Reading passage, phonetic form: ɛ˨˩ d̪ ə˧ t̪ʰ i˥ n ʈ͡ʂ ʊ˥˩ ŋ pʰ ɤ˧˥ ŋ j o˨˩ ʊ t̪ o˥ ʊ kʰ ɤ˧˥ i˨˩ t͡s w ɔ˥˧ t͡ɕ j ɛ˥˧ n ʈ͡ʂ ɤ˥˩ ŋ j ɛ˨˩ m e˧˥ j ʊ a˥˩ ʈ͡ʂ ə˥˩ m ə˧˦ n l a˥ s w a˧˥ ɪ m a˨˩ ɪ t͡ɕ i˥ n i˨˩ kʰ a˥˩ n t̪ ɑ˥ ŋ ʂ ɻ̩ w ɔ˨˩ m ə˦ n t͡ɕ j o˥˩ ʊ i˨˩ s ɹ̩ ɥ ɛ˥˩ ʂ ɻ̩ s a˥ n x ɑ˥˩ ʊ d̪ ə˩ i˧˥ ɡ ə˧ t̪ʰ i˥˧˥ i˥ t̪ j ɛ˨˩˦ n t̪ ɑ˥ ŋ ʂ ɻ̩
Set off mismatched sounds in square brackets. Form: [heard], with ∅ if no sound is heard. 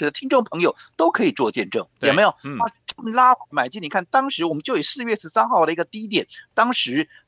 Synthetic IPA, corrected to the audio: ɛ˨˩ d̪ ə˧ t̪ʰ i˥ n ʈ͡ʂ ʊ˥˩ ŋ pʰ ɤ˧˥ ŋ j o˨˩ ʊ t̪ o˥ ʊ kʰ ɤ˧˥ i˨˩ t͡s w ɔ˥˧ t͡ɕ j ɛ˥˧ n ʈ͡ʂ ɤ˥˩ ŋ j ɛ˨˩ m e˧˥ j ʊ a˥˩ ʈ͡ʂ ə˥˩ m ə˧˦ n l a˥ [x] w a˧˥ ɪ m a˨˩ ɪ t͡ɕ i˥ n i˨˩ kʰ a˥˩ n t̪ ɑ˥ ŋ ʂ ɻ̩ w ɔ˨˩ m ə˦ n t͡ɕ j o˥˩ ʊ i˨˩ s ɹ̩ ɥ ɛ˥˩ ʂ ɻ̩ s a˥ n x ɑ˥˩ ʊ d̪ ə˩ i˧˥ ɡ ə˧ [t̪] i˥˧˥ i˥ t̪ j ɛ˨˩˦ n t̪ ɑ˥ ŋ ʂ ɻ̩